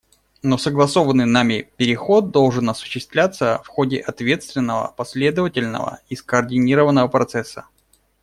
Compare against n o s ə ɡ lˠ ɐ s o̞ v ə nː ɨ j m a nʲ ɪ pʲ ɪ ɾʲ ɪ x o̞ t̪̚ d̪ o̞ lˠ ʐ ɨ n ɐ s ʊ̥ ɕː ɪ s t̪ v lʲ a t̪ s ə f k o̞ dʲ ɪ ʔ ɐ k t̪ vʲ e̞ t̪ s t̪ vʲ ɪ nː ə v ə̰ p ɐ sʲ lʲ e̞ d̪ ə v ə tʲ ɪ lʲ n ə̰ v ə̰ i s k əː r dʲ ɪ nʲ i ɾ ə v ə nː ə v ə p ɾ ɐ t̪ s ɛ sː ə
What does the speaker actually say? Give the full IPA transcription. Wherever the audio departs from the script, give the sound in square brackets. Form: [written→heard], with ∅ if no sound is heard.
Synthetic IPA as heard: n o s ə ɡ lˠ ɐ s o̞ v ə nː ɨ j [m→n] a [nʲ→mʲ] ɪ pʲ ɪ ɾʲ ɪ x o̞ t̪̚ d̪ o̞ lˠ ʐ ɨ n ɐ s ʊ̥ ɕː ɪ s t̪ v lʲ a t̪ s ə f [k→x] o̞ dʲ ɪ ʔ ɐ [k→∅] t̪ vʲ e̞ t̪ s t̪ vʲ ɪ nː ə v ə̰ p ɐ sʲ lʲ e̞ d̪ ə v ə tʲ ɪ lʲ n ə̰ v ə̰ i s k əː r dʲ ɪ nʲ i ɾ ə v ə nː ə v ə p ɾ ɐ t̪ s ɛ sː ə